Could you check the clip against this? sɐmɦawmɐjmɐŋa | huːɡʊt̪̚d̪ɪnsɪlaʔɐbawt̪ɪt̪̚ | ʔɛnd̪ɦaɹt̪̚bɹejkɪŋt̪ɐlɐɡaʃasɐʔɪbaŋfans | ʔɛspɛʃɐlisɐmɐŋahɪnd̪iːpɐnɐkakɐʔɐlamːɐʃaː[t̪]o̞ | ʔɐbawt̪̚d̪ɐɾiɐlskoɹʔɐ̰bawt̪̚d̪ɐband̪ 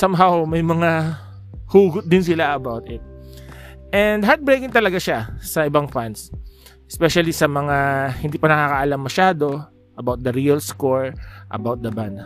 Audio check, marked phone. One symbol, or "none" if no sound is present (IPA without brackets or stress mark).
d̪